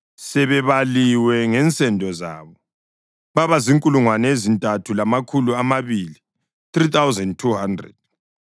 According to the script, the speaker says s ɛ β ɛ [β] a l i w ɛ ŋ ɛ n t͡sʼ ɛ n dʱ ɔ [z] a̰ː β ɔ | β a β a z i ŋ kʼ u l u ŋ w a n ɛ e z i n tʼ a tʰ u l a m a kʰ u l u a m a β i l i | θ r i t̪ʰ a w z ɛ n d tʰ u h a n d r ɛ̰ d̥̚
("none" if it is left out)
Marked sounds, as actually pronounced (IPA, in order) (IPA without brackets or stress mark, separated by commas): β, z